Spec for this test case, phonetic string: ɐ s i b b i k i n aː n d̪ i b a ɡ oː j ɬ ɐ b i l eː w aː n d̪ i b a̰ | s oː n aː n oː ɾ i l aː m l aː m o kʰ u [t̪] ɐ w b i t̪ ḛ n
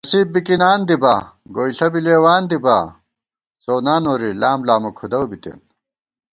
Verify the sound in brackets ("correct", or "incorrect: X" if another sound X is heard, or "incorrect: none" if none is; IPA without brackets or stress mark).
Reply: incorrect: d̪